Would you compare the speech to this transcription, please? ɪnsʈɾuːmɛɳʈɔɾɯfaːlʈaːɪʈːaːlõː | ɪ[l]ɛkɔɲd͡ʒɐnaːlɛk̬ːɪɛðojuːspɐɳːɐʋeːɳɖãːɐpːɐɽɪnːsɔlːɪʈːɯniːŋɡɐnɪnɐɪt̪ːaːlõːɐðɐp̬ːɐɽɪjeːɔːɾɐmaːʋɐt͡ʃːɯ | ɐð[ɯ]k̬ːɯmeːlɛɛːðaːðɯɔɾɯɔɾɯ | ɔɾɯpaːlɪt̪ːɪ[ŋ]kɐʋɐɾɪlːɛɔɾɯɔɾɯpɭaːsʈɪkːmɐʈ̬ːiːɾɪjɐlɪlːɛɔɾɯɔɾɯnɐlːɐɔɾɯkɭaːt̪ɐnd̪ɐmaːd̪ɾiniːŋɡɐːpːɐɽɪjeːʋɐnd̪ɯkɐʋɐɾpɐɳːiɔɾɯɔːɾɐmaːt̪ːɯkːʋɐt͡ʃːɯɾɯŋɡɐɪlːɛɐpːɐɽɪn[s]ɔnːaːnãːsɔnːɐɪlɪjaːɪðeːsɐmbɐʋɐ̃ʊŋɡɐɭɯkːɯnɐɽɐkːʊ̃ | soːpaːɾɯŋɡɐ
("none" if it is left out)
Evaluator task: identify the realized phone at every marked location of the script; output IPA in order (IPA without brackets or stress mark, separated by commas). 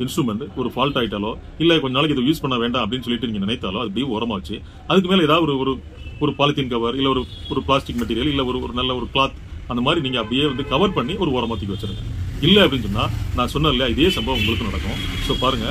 lː, ɯ, n, s